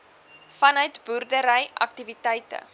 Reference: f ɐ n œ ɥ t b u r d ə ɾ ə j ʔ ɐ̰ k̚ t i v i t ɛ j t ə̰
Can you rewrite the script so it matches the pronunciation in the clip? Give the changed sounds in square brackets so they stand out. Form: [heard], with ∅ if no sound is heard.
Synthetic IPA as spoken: f ɐ n œ ɥ t b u r d ə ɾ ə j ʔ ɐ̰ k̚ t i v i t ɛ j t ə̰